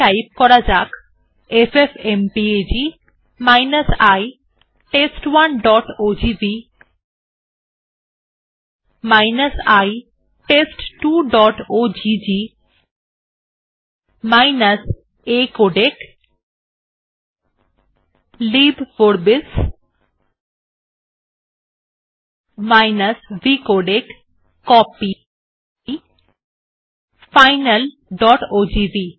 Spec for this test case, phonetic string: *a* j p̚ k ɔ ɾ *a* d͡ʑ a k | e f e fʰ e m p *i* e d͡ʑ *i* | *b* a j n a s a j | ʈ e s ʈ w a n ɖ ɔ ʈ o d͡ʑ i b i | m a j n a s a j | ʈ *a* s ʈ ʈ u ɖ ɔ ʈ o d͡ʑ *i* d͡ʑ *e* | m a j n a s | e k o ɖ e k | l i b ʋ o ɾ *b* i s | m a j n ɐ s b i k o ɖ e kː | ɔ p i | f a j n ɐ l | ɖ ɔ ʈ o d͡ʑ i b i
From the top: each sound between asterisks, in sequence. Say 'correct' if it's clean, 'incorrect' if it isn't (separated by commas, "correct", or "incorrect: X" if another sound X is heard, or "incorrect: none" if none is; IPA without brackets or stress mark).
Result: correct, correct, correct, correct, incorrect: m, incorrect: e, correct, incorrect: i, correct